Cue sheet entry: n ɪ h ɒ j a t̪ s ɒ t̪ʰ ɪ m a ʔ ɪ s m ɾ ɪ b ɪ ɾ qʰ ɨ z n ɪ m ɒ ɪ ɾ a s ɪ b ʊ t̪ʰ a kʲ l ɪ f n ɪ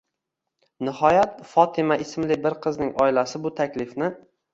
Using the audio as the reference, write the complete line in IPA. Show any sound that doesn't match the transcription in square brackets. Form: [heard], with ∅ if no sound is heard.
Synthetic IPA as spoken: n ɪ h ɒ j a t̪ [f] ɒ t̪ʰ ɪ m a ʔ ɪ s m [l] ɪ b ɪ ɾ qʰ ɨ z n ɪ [ŋ] ɒ ɪ [l] a s ɪ b ʊ t̪ʰ a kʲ l ɪ f n ɪ